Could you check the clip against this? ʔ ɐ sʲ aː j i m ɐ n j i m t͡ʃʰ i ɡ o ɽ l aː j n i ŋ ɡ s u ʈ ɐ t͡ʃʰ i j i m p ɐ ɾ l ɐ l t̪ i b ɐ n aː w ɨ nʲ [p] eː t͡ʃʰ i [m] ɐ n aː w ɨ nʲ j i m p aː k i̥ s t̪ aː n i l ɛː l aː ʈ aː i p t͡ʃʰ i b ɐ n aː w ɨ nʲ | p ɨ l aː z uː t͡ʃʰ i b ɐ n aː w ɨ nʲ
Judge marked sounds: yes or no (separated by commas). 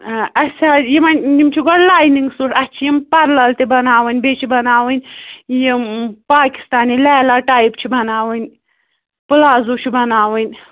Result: no, no